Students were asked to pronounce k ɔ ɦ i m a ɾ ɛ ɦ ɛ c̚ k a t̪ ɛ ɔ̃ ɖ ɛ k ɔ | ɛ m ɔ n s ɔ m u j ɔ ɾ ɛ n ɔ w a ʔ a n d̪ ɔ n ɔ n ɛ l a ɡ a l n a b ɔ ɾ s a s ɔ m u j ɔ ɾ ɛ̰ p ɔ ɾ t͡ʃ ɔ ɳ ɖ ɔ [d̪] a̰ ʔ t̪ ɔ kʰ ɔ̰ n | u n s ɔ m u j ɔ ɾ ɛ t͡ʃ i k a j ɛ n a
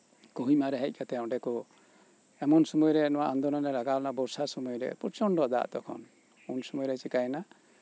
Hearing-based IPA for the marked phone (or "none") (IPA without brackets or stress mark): d̪